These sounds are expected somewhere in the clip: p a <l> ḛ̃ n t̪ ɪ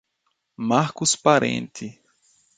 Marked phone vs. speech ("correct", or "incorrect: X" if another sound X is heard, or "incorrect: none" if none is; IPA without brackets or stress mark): incorrect: ɾ